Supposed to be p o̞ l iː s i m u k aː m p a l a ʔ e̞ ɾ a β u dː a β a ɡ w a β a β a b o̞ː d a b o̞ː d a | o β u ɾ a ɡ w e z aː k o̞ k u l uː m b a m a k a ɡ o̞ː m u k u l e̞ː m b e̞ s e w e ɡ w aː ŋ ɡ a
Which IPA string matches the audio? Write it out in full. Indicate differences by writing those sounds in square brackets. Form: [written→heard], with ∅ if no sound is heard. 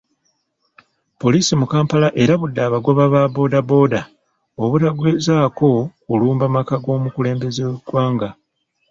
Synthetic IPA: p o̞ l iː s i m u k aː m p a l a ʔ e̞ ɾ a β u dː a β a ɡ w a β a β a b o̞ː d a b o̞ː d a | o β u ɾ a ɡ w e z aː k o̞ k u l uː m b a m a k a ɡ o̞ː m u k u l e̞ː m b e̞ [s→z] e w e ɡ w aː ŋ ɡ a